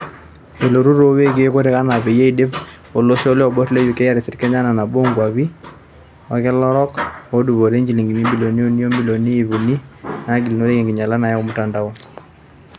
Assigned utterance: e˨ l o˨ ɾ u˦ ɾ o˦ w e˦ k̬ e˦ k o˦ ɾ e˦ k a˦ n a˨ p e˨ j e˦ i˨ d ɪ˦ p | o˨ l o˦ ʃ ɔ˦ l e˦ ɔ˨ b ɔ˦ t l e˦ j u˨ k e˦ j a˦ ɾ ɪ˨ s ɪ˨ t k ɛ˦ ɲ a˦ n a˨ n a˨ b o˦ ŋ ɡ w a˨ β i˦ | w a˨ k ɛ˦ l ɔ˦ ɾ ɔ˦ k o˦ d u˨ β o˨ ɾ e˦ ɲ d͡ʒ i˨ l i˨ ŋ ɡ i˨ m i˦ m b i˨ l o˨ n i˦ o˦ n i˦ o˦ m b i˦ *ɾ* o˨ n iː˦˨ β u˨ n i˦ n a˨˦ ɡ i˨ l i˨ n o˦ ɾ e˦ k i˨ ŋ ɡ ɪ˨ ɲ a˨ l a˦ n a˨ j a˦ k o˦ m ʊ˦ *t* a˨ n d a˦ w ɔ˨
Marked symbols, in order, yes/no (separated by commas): no, yes